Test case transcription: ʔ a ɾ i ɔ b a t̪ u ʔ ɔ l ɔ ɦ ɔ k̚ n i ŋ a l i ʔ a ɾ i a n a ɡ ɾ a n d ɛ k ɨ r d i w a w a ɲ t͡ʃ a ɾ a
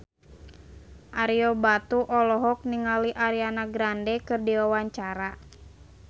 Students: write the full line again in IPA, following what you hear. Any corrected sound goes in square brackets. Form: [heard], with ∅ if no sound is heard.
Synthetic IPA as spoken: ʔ a ɾ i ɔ b a t̪ u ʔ ɔ l ɔ ɦ ɔ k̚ n i ŋ a l i ʔ a ɾ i a n a ɡ ɾ a n d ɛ k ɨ r d i w a w a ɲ t͡ʃ a ɾ a